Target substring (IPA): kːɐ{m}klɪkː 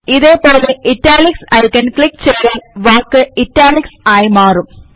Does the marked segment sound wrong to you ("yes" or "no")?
yes